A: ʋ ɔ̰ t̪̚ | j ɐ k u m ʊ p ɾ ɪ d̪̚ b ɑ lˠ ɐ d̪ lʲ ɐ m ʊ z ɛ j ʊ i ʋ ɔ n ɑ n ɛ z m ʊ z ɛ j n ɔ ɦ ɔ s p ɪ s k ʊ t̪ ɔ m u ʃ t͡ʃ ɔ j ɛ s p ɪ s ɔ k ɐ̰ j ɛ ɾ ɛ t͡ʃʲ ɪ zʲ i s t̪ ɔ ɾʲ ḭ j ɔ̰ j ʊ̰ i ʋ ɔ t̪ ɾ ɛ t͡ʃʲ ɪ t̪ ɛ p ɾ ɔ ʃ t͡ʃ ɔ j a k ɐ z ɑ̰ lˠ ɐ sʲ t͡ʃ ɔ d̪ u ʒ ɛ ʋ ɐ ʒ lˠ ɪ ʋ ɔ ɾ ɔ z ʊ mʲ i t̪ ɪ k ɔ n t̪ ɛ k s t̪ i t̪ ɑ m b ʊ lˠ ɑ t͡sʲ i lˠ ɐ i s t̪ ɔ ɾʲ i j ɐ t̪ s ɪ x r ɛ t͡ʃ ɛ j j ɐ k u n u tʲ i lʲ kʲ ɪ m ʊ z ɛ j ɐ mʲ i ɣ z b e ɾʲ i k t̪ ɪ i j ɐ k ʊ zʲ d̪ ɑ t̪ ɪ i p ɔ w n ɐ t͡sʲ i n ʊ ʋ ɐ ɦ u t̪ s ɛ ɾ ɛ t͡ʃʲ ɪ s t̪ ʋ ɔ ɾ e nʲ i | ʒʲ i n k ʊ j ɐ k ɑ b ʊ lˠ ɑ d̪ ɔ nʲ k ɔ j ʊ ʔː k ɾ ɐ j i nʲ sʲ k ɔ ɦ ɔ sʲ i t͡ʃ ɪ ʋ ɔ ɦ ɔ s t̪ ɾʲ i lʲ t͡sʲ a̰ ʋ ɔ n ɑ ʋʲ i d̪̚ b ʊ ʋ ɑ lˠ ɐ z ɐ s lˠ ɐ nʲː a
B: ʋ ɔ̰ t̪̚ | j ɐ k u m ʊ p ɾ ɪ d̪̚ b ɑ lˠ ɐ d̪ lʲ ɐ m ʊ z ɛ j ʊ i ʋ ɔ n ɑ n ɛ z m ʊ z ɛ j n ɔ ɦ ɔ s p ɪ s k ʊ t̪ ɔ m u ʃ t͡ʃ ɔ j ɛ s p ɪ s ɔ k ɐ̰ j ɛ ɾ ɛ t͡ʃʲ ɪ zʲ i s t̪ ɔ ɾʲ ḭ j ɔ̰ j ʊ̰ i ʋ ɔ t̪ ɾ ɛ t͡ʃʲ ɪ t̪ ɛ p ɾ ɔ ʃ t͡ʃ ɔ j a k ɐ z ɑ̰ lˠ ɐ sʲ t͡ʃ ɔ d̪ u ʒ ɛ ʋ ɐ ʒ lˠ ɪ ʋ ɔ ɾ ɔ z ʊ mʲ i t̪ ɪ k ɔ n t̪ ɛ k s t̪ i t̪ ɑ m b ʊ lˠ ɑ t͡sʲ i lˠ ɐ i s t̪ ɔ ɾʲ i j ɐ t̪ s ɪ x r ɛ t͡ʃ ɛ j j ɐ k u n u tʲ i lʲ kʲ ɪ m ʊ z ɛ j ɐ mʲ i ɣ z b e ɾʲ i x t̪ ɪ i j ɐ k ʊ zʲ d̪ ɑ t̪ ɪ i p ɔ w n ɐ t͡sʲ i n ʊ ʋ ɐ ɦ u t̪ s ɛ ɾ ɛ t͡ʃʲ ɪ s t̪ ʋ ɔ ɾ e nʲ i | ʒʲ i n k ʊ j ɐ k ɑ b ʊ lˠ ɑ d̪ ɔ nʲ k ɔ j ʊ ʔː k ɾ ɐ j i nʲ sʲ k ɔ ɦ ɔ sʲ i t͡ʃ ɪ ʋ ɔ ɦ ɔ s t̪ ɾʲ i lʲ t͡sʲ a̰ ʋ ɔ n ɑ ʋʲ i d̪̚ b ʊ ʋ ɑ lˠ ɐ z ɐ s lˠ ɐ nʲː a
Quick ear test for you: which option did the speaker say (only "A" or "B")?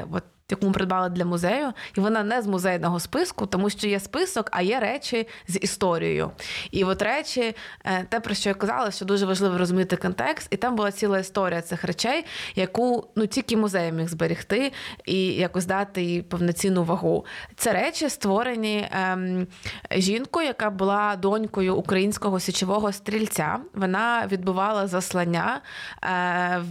B